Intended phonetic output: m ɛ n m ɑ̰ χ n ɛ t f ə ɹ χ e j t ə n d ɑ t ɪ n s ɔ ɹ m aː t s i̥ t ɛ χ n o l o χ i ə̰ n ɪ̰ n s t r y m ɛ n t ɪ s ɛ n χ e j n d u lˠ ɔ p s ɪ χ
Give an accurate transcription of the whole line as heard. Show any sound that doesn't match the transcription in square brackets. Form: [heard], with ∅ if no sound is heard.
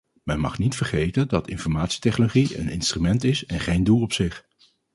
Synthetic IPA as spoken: m ɛ n m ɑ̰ χ n [i] t f ə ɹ χ e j t ə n d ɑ t ɪ n [f] ɔ ɹ m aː t s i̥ t ɛ χ n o l o χ i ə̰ n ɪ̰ n s t r y m ɛ n t ɪ s ɛ n χ e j n d u lˠ ɔ p s ɪ χ